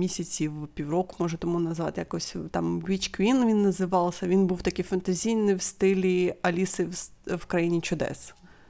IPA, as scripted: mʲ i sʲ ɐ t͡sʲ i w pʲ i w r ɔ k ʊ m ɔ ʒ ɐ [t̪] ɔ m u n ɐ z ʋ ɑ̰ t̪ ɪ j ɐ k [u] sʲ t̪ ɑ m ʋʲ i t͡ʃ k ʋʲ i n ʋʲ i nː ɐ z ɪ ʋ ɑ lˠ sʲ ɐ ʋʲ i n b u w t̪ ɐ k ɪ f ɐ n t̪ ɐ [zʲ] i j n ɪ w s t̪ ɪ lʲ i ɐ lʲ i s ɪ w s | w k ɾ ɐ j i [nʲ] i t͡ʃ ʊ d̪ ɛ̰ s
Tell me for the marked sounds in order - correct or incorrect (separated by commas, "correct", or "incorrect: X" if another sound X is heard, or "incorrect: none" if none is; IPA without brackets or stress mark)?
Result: correct, incorrect: ɔ, correct, correct